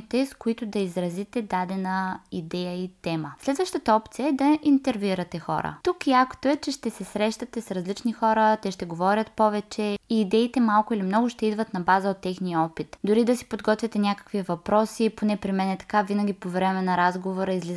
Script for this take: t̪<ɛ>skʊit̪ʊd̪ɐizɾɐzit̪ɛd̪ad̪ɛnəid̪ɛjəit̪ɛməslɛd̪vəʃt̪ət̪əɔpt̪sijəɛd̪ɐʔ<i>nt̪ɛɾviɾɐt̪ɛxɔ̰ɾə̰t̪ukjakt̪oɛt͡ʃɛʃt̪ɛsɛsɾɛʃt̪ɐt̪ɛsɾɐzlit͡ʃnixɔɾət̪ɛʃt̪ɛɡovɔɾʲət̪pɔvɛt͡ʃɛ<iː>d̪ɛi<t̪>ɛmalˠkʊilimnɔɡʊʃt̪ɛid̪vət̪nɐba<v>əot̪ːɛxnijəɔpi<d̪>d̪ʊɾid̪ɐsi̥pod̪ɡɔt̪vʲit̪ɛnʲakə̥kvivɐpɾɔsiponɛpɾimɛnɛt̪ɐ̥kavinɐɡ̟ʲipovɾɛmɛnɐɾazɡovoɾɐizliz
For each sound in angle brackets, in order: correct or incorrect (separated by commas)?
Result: correct, correct, correct, correct, incorrect, incorrect